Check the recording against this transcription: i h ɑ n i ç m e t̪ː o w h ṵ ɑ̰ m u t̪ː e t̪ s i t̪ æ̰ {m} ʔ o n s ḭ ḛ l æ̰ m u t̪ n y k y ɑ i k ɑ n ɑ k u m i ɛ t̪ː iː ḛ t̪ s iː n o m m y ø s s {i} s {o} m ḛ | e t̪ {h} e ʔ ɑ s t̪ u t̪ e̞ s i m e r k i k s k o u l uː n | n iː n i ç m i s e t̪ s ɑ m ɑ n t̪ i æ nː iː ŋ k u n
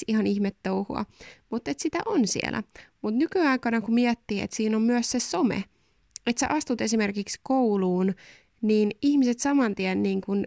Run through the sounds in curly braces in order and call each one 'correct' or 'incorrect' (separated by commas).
incorrect, incorrect, correct, incorrect